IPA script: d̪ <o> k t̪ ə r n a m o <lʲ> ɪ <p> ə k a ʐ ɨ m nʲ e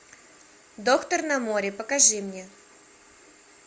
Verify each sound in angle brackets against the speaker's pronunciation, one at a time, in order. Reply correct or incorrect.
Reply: correct, incorrect: ɾʲ, correct

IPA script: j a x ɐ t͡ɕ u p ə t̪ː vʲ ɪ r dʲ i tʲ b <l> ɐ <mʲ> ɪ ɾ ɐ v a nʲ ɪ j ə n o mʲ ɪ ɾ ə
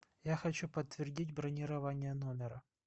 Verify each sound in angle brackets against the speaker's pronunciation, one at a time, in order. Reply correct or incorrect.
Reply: incorrect: ɾ, incorrect: nʲ

